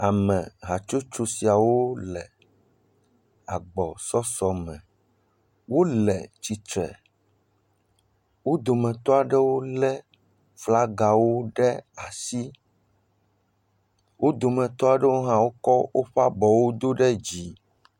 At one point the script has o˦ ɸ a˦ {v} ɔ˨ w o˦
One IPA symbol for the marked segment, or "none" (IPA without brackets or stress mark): b